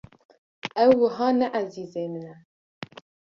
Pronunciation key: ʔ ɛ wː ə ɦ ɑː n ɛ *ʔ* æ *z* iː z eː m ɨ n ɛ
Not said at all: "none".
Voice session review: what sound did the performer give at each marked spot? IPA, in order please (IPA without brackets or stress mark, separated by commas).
ʔ, z